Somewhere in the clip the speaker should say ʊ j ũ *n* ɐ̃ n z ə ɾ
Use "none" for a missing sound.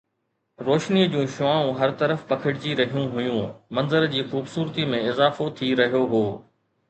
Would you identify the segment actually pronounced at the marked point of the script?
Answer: m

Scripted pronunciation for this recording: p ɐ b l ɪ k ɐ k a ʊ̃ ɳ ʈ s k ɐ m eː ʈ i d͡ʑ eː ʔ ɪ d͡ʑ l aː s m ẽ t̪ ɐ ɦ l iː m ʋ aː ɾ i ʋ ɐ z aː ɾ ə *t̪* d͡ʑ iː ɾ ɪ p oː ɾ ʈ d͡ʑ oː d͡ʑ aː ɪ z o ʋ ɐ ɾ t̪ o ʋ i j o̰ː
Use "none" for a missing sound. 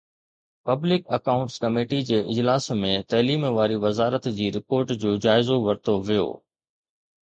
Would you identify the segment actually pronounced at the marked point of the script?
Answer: t̪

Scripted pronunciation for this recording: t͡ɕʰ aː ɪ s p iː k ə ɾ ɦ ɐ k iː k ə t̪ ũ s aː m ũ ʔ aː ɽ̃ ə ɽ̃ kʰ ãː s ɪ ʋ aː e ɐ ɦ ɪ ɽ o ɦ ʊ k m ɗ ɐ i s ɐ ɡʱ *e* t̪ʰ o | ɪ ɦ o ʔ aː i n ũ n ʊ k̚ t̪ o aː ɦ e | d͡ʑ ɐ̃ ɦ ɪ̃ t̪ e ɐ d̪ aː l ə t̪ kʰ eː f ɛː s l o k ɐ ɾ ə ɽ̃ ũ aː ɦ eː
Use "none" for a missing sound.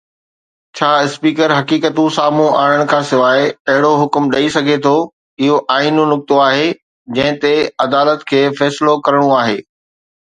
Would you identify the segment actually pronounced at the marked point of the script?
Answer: e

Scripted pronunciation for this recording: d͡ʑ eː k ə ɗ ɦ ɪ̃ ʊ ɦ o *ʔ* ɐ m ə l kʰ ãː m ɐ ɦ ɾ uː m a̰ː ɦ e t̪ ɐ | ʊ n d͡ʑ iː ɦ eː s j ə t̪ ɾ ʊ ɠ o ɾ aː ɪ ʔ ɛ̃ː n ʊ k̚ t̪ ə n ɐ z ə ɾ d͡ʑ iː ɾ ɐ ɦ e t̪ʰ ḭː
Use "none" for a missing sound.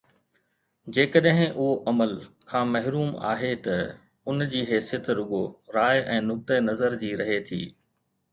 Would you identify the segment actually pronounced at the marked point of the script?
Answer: ʔ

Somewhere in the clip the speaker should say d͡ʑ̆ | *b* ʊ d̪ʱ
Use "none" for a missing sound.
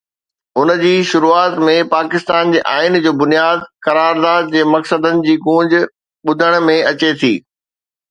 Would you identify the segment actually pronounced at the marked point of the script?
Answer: ɓ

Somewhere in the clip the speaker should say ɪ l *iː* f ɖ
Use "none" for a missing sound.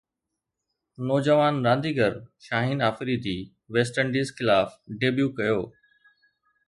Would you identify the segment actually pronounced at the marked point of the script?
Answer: aː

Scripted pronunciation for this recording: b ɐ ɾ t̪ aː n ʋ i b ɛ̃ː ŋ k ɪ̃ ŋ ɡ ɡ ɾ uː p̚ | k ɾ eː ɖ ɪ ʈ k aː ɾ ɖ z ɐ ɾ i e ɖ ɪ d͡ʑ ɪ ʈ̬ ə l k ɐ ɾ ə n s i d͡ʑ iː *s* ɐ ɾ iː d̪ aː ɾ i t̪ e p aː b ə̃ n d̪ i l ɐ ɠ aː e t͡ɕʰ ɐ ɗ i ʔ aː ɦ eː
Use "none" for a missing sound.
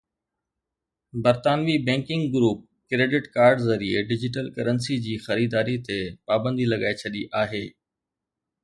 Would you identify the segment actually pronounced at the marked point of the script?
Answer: x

